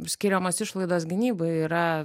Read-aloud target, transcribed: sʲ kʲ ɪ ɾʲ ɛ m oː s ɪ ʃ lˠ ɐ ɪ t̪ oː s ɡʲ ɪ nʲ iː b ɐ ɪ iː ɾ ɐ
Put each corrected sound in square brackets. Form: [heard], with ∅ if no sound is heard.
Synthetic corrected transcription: sʲ kʲ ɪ ɾʲ ɛ m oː s ɪ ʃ lˠ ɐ ɪ [d̪] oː s ɡʲ ɪ nʲ iː b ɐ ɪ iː ɾ ɐ

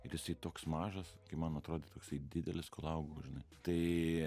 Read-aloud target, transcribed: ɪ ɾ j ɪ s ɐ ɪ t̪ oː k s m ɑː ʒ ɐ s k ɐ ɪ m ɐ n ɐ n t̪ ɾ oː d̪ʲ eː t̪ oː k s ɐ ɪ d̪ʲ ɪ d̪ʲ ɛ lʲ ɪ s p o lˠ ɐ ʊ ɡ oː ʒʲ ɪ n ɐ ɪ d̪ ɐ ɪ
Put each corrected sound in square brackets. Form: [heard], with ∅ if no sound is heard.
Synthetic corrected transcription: ɪ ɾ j ɪ s ɐ ɪ t̪ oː k s m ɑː ʒ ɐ s k ɐ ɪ m ɐ n ɐ [∅] t̪ ɾ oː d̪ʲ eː t̪ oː k s ɐ ɪ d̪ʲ ɪ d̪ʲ ɛ lʲ ɪ s [k] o lˠ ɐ ʊ ɡ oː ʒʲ ɪ n ɐ ɪ [t̪] ɐ ɪ

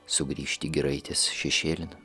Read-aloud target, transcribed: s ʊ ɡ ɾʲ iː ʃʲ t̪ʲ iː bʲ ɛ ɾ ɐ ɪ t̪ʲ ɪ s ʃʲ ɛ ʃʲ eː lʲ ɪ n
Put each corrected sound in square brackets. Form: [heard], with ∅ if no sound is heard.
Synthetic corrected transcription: s ʊ ɡ ɾʲ iː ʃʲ t̪ʲ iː [ɡʲ] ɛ ɾ ɐ ɪ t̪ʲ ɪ s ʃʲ ɛ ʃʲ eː lʲ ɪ n

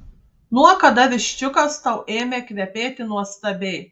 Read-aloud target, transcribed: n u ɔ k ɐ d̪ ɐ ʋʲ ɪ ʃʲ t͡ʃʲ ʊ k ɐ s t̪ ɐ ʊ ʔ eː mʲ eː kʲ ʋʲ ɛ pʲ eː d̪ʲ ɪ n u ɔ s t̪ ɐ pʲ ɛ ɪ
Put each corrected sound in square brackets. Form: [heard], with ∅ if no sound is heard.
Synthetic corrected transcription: n u ɔ k ɐ d̪ ɐ ʋʲ ɪ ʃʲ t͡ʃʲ ʊ k ɐ s t̪ ɐ ʊ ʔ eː mʲ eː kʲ ʋʲ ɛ pʲ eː [t̪ʲ] ɪ n u ɔ s t̪ ɐ [bʲ] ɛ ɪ

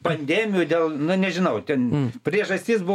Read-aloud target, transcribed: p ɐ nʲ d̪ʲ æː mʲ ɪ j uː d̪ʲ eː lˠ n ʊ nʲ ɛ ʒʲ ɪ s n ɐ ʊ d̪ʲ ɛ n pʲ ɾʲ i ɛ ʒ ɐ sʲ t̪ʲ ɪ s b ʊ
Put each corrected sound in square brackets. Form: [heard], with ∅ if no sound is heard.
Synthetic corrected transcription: p ɐ nʲ d̪ʲ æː mʲ ɪ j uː d̪ʲ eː lˠ n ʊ nʲ ɛ ʒʲ ɪ [∅] n ɐ ʊ [t̪ʲ] ɛ n pʲ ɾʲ i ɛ ʒ ɐ sʲ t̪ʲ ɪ s b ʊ

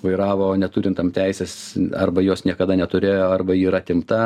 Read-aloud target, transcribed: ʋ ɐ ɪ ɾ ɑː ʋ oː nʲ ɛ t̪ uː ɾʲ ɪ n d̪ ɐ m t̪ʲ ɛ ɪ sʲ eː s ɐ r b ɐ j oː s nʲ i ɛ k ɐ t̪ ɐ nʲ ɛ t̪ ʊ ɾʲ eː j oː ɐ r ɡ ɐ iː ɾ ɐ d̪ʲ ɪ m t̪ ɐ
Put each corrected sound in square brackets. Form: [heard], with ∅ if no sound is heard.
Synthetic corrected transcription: ʋ ɐ ɪ ɾ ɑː ʋ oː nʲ ɛ t̪ uː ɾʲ ɪ n [t̪] ɐ m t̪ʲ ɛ ɪ sʲ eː s ɐ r b ɐ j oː s nʲ i ɛ k ɐ [d̪] ɐ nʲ ɛ t̪ ʊ ɾʲ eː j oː ɐ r [b] ɐ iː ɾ ɐ [t̪ʲ] ɪ m t̪ ɐ

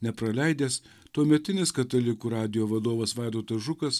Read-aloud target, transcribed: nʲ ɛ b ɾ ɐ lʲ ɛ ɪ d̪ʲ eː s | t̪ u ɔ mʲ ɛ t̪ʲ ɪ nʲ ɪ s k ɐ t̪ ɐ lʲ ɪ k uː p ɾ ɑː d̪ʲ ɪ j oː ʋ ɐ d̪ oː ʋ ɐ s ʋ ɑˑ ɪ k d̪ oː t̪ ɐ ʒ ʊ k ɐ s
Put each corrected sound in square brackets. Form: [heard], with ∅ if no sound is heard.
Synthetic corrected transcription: nʲ ɛ [p] ɾ ɐ lʲ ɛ ɪ d̪ʲ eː s | t̪ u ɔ mʲ ɛ t̪ʲ ɪ nʲ ɪ s k ɐ t̪ ɐ lʲ ɪ k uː [∅] ɾ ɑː d̪ʲ ɪ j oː ʋ ɐ d̪ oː ʋ ɐ s ʋ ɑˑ ɪ [∅] d̪ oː t̪ ɐ ʒ ʊ k ɐ s

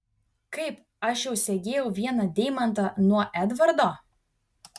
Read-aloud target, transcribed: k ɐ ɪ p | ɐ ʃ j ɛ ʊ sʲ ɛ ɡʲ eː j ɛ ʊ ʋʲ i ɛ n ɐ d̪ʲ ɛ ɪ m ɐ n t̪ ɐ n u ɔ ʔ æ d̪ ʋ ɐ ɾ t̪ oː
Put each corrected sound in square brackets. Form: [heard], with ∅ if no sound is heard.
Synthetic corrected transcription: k ɐ ɪ p | ɐ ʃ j ɛ ʊ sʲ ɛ ɡʲ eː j ɛ ʊ ʋʲ i ɛ n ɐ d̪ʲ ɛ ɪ m ɐ n t̪ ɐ n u ɔ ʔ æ d̪ ʋ ɐ ɾ [d̪] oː

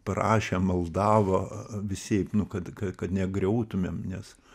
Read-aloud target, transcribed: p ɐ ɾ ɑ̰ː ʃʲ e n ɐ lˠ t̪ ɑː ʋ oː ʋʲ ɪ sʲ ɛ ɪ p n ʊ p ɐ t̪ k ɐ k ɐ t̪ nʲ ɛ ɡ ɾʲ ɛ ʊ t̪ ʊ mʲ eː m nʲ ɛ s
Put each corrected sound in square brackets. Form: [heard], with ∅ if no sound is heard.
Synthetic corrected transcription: p ɐ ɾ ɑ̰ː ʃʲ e [m] ɐ lˠ [d̪] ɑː ʋ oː ʋʲ ɪ sʲ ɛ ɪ p n ʊ [k] ɐ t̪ k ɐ k ɐ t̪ nʲ ɛ ɡ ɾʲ ɛ ʊ t̪ ʊ mʲ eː m nʲ ɛ s

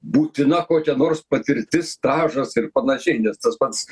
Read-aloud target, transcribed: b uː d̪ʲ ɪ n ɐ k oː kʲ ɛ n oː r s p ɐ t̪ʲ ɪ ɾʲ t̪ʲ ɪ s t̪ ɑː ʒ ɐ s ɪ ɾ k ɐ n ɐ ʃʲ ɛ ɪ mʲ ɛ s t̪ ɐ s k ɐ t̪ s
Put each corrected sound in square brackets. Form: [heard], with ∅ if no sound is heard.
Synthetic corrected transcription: b uː [t̪ʲ] ɪ n ɐ k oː kʲ ɛ n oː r s p ɐ t̪ʲ ɪ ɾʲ t̪ʲ ɪ s t̪ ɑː ʒ ɐ s ɪ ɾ [p] ɐ n ɐ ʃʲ ɛ ɪ [nʲ] ɛ s t̪ ɐ s [p] ɐ t̪ s

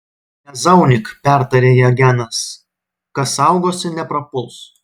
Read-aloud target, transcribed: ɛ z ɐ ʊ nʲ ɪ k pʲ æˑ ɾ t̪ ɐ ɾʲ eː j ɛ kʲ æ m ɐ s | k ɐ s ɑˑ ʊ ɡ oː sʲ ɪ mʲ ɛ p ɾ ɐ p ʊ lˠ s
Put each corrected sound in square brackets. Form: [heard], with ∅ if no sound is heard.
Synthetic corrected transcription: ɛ z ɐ ʊ nʲ ɪ k pʲ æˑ ɾ t̪ ɐ ɾʲ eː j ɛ [ɡʲ] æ [n] ɐ s | k ɐ s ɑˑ ʊ ɡ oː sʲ ɪ [nʲ] ɛ p ɾ ɐ p ʊ lˠ s

